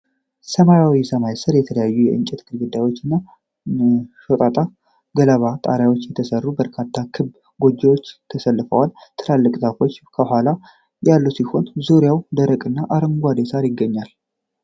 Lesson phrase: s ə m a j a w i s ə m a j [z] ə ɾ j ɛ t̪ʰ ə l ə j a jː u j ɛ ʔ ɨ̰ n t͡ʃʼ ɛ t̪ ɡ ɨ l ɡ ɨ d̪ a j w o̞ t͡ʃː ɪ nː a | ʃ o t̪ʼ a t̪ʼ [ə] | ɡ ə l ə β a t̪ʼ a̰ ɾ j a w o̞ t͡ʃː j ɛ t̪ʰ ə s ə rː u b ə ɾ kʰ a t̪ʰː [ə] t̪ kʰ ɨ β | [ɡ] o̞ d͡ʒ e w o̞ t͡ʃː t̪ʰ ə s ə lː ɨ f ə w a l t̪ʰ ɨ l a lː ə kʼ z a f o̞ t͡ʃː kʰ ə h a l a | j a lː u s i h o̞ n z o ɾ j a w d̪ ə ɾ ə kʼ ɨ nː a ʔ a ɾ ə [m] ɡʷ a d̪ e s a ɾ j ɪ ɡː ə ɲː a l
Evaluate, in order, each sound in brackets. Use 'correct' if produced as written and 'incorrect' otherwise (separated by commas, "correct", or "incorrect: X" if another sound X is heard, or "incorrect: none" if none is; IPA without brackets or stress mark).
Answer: incorrect: s, incorrect: a, incorrect: a, correct, incorrect: ŋ